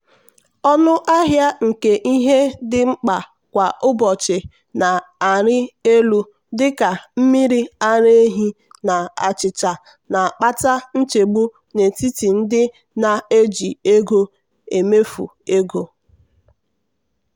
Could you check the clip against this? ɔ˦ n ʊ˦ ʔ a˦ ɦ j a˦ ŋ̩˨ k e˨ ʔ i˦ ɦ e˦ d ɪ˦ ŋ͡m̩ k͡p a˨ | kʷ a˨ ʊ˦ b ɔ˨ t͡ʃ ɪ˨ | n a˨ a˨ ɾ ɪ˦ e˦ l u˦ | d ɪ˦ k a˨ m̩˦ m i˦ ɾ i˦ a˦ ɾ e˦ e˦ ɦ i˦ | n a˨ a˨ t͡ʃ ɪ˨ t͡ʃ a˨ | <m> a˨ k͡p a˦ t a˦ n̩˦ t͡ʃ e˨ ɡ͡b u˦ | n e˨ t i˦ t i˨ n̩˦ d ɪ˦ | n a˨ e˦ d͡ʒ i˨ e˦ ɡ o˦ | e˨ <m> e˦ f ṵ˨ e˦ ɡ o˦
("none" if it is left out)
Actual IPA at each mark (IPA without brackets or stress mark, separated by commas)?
n, m